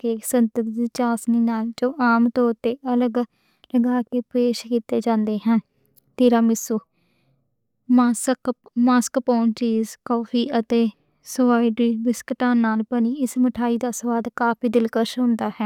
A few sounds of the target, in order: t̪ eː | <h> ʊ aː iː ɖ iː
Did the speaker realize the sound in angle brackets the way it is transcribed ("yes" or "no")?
no